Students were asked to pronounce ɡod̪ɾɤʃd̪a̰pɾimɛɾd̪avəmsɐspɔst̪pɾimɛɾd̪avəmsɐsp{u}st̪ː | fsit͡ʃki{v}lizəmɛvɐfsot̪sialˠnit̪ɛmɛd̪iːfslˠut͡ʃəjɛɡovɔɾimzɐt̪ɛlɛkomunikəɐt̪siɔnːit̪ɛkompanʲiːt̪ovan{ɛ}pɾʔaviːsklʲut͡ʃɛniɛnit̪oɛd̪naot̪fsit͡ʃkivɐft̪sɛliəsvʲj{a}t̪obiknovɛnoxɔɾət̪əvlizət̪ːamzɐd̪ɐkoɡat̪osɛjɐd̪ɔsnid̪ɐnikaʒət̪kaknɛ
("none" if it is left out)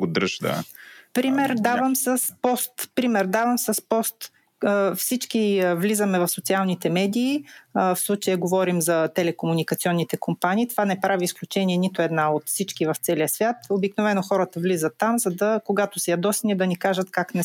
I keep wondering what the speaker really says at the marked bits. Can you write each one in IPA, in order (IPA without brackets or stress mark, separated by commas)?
ɔ, v, ɛ, a